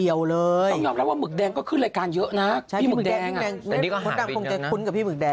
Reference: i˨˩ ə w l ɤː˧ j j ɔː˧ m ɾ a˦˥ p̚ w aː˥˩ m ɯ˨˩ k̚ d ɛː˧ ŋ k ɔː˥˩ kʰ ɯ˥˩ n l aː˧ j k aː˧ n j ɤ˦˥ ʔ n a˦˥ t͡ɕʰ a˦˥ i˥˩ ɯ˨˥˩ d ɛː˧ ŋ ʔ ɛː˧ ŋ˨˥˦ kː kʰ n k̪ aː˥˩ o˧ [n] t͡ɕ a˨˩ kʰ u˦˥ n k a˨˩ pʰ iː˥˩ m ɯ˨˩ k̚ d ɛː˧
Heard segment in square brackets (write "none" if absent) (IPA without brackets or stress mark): ŋ